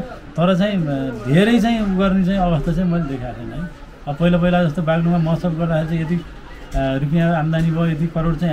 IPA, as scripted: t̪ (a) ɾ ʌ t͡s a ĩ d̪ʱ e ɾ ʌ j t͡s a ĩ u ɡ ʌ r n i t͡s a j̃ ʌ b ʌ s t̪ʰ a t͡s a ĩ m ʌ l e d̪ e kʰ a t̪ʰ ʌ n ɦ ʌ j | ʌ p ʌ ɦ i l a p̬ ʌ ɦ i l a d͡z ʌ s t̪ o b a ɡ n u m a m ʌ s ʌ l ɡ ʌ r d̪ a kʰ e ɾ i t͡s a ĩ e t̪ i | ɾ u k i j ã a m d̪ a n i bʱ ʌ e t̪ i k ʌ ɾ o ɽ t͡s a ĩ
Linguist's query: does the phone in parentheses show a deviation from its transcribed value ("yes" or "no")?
yes